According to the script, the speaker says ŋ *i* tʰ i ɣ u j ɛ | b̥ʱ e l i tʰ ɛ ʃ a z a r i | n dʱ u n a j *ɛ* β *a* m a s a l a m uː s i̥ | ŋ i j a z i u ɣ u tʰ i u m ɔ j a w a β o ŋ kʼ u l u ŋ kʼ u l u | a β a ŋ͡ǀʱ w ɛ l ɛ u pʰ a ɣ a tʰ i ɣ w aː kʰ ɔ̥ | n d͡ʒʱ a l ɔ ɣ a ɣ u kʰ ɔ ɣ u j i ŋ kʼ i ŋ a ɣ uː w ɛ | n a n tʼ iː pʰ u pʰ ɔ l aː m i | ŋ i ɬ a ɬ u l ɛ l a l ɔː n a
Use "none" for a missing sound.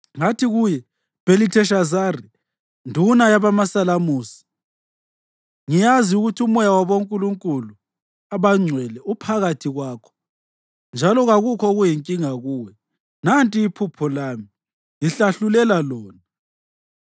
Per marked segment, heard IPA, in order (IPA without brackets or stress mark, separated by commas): a, a, a